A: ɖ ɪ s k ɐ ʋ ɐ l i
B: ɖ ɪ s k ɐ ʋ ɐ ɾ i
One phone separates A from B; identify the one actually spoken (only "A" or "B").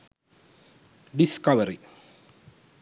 B